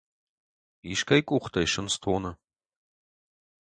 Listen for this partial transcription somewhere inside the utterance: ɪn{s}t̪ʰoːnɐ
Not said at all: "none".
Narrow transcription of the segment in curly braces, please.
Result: s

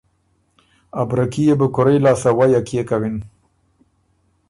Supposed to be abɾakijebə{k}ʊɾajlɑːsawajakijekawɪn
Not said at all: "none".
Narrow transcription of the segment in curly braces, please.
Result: k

